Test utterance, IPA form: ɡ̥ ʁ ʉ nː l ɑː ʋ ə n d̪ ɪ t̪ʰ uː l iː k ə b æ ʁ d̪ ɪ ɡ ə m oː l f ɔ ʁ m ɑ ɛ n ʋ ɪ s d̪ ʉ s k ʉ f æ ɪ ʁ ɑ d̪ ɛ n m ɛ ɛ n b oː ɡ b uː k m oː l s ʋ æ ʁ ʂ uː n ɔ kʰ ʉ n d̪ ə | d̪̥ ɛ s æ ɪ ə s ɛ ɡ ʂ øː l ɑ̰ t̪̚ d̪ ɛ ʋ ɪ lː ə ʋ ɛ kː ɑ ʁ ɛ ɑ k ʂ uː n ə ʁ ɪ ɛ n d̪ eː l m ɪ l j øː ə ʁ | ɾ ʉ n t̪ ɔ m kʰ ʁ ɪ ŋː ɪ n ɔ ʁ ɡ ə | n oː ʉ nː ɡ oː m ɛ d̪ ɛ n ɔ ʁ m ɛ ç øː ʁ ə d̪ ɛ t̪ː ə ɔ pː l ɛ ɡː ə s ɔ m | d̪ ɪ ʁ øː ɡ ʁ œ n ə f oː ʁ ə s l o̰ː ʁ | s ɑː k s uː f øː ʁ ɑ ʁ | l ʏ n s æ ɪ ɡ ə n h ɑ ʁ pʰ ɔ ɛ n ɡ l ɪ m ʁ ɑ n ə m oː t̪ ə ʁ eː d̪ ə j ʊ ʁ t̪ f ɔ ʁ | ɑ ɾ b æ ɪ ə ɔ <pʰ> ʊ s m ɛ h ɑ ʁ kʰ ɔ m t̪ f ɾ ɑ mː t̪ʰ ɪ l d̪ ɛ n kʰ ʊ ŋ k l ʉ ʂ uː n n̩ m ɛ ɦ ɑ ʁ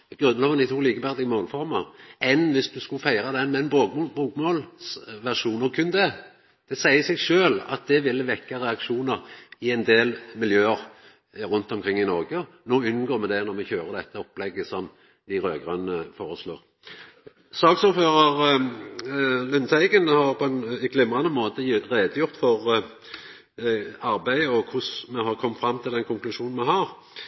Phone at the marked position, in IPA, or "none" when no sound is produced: kʰ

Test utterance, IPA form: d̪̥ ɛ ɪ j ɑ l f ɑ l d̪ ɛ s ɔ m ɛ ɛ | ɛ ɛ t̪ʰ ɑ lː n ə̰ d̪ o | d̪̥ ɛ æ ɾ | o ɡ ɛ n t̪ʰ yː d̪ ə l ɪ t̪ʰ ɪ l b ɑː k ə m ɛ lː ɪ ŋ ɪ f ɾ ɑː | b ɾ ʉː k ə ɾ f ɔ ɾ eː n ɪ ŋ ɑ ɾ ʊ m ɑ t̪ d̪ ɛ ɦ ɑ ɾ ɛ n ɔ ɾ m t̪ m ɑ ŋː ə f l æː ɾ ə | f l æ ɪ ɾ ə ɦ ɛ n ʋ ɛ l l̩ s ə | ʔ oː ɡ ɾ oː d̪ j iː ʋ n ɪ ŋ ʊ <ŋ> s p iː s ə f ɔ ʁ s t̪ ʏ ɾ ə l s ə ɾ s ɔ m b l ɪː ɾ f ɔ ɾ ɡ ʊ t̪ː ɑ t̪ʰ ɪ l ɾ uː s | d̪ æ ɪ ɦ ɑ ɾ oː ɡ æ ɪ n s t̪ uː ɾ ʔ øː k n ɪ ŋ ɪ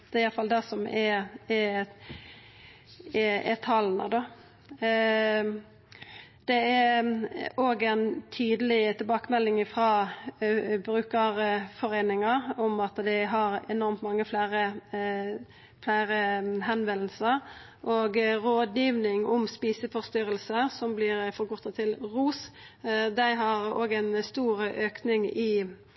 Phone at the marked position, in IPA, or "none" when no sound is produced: m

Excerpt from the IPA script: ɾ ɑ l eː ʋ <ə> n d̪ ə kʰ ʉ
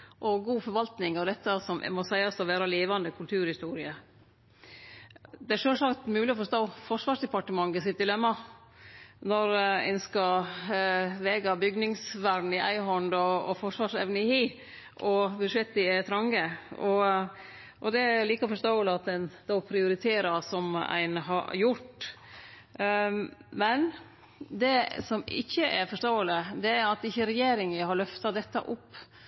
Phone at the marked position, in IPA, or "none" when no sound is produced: ɑ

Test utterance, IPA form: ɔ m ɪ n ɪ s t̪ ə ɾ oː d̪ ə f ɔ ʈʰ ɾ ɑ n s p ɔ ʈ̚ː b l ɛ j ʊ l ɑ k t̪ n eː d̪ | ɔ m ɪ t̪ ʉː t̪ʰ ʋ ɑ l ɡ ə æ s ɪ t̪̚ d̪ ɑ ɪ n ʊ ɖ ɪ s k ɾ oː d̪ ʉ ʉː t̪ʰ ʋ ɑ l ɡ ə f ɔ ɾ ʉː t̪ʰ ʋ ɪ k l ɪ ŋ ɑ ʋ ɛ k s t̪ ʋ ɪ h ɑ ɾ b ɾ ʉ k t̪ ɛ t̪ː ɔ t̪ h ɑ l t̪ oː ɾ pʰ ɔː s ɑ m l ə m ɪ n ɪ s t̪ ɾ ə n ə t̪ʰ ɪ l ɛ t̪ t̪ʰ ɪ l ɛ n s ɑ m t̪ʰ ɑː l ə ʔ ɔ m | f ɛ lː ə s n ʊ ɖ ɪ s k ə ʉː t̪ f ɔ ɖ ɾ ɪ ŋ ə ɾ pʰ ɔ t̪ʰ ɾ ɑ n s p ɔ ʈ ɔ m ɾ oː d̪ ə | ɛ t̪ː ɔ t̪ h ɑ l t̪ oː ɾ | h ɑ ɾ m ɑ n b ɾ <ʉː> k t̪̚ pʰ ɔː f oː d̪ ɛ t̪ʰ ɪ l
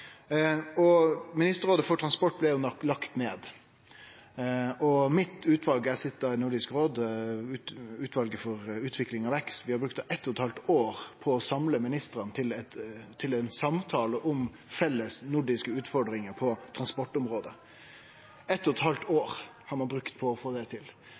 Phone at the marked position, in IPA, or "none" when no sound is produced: ʉ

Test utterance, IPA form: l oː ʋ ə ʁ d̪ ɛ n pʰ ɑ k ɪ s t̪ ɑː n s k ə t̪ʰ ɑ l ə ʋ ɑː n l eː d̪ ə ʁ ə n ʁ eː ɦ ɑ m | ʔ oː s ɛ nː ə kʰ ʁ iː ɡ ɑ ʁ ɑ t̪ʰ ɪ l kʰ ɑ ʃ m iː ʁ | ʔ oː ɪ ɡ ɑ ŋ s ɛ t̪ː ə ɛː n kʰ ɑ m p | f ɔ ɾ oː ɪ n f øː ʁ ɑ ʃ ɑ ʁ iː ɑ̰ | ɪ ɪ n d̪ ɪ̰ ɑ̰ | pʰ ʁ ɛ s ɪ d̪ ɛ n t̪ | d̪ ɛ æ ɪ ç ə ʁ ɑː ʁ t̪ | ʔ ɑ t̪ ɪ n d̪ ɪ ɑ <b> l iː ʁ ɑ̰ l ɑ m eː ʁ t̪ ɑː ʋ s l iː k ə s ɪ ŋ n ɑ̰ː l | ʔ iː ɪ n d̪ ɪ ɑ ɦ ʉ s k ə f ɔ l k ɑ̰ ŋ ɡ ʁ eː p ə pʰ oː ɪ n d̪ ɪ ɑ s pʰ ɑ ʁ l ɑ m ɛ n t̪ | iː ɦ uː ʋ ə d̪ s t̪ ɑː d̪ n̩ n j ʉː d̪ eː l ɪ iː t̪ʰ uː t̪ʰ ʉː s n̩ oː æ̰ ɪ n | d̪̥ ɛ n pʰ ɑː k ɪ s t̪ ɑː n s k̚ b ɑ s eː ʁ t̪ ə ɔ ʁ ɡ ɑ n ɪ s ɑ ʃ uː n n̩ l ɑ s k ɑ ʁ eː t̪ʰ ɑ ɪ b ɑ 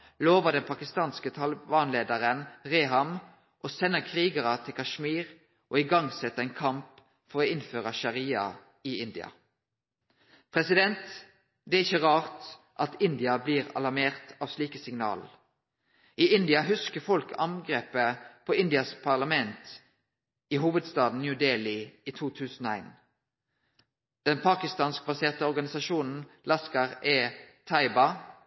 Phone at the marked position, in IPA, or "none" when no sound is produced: b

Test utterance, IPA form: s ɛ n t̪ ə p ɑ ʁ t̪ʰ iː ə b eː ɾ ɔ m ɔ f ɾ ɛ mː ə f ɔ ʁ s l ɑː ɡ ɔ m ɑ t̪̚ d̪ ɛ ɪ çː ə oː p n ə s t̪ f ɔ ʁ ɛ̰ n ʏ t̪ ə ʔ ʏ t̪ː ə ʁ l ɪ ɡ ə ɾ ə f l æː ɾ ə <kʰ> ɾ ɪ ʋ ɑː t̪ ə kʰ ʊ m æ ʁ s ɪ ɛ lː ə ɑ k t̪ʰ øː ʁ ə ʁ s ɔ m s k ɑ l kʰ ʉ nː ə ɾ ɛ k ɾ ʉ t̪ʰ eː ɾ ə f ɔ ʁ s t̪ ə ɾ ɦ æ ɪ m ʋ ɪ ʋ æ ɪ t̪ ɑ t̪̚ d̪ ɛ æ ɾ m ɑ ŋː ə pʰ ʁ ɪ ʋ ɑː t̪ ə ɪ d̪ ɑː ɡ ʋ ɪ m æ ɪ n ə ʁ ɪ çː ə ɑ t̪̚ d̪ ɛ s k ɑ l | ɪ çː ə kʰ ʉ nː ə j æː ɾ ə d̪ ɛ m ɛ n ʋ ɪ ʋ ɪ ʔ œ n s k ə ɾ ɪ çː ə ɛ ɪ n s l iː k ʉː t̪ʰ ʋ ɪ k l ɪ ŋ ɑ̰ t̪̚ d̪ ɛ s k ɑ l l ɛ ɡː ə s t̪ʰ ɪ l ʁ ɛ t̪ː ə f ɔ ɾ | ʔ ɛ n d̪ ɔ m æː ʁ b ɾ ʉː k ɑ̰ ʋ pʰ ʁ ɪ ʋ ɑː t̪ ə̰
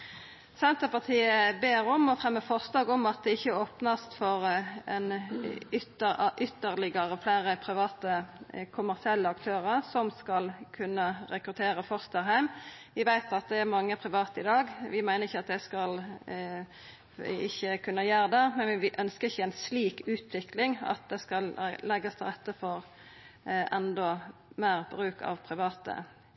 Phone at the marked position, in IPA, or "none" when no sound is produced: pʰ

